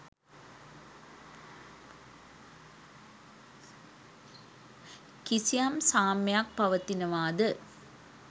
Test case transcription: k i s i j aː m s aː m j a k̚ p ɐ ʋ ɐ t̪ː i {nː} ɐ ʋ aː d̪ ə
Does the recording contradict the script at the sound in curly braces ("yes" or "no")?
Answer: yes